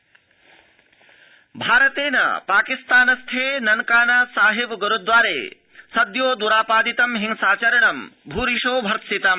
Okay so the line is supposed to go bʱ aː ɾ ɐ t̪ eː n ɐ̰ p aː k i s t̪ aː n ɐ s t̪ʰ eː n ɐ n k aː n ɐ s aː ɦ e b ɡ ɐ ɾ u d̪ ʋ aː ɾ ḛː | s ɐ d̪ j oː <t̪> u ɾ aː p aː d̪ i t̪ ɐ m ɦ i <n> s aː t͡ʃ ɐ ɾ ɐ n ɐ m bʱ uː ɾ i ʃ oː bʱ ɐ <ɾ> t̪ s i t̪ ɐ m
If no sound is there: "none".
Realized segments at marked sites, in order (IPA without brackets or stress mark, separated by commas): d̪, ŋ, ɾ